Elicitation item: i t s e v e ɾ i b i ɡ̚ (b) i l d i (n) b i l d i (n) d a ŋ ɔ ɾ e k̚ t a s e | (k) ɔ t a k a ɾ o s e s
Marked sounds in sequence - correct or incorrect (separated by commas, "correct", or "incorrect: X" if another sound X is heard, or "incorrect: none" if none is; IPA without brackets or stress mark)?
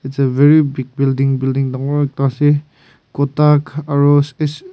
correct, incorrect: ŋ, incorrect: ŋ, correct